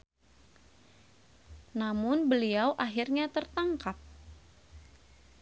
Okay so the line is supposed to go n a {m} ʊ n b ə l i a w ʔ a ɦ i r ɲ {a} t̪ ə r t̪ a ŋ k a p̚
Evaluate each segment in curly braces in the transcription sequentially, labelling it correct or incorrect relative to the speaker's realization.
correct, correct

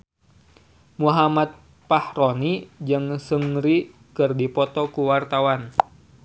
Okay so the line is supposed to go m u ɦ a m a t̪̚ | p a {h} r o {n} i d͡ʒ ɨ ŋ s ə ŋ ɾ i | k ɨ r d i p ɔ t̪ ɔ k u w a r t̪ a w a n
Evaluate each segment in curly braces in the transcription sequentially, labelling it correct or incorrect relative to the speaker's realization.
correct, correct

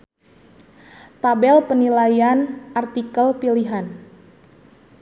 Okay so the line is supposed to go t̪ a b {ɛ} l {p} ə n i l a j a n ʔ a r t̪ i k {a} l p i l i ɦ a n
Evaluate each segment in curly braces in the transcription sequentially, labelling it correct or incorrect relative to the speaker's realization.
correct, correct, incorrect: ə

